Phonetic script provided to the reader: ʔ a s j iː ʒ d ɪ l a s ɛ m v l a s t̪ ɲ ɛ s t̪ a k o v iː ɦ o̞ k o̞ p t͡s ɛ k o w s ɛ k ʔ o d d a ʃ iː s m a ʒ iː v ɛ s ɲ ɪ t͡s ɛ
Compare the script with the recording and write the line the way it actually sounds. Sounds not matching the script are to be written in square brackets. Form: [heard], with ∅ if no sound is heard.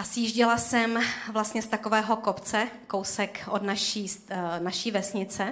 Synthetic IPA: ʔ a s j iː ʒ [ɟ] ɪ l a s ɛ m v l a s t̪ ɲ ɛ s t̪ a k o v [ɛː] ɦ o̞ k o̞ p t͡s ɛ k o w s ɛ k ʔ o d [n] a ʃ iː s [n] a [ʃ] iː v ɛ s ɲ ɪ t͡s ɛ